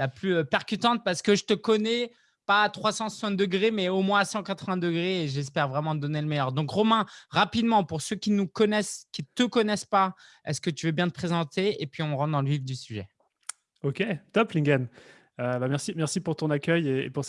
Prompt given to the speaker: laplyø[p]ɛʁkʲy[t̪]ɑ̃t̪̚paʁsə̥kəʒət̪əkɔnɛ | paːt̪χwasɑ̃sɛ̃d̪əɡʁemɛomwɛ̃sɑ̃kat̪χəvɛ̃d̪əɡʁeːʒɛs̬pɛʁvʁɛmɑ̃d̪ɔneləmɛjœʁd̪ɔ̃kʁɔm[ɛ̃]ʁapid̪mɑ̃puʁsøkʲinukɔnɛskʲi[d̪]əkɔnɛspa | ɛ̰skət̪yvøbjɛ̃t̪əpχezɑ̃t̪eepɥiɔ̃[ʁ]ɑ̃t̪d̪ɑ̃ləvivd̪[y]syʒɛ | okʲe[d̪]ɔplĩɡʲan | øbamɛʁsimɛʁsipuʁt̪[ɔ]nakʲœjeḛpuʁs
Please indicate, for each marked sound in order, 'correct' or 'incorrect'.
correct, correct, correct, incorrect, correct, correct, incorrect, incorrect

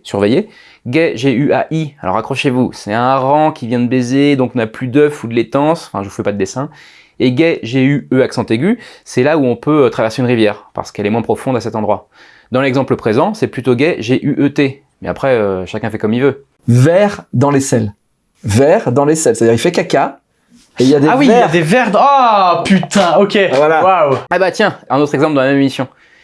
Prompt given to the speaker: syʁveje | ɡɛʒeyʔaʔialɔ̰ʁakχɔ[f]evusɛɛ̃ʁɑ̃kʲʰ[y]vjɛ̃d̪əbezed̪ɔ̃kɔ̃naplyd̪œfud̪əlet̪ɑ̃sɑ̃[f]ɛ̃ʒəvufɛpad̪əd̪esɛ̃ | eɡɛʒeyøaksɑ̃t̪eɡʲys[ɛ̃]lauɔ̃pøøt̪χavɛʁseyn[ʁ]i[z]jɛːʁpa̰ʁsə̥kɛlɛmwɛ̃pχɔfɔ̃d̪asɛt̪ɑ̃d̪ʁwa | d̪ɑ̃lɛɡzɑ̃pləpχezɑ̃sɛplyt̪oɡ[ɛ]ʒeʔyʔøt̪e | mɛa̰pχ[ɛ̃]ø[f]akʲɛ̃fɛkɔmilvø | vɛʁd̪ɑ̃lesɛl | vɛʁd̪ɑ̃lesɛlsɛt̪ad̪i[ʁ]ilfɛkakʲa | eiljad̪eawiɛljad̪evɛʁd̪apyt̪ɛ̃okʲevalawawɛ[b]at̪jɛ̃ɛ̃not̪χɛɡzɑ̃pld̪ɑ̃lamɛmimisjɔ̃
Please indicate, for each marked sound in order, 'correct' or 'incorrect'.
incorrect, incorrect, correct, incorrect, correct, incorrect, correct, incorrect, incorrect, correct, correct

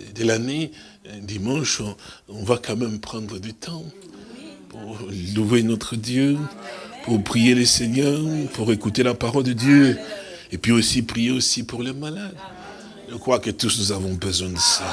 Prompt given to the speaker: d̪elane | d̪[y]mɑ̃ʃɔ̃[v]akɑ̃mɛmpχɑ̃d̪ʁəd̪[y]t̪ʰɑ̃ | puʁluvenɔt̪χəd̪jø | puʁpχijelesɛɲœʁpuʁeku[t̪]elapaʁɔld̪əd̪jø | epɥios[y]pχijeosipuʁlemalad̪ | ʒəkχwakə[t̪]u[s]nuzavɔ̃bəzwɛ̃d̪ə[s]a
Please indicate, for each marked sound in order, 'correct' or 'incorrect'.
incorrect, correct, correct, correct, incorrect, correct, correct, correct

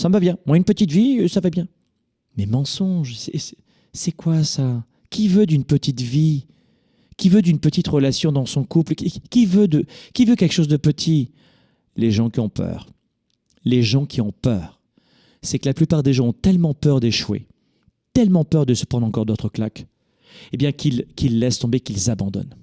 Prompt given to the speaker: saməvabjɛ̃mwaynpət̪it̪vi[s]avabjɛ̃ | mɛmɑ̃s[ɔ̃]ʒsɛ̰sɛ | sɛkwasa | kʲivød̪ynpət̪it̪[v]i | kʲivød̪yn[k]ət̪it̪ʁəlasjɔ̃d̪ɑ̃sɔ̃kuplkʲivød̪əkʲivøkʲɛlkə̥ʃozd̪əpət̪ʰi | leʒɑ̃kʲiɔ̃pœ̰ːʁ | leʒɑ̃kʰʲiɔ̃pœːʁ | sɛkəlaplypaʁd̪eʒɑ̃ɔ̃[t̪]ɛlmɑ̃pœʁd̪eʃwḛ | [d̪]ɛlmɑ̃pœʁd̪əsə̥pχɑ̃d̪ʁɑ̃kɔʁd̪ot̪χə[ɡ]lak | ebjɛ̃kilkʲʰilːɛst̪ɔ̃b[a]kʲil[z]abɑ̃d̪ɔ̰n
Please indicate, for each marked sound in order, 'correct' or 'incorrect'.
correct, correct, correct, incorrect, correct, incorrect, incorrect, incorrect, correct

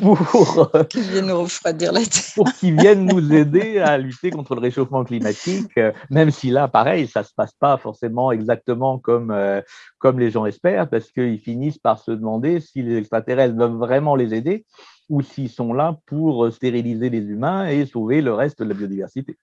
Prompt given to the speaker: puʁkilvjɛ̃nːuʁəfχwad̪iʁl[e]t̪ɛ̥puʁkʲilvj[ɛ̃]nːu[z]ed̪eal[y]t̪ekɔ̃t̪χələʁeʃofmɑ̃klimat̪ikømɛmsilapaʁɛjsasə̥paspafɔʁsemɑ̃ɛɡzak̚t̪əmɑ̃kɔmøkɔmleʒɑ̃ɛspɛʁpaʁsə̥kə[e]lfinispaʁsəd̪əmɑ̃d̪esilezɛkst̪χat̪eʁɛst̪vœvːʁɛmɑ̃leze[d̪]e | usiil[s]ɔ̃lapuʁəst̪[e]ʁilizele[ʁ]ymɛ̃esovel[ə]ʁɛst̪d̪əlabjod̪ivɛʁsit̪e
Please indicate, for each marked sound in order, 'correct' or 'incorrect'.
incorrect, incorrect, correct, correct, incorrect, correct, correct, correct, incorrect, correct

